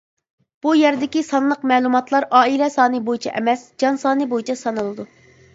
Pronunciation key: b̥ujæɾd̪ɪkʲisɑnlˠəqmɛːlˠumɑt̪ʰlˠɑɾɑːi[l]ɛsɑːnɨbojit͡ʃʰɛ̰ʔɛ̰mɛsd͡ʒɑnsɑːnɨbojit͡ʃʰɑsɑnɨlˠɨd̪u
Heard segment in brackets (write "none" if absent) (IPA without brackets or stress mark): l